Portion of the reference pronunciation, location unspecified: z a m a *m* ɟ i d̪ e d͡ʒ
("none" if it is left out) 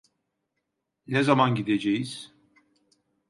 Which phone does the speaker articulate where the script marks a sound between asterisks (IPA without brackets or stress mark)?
n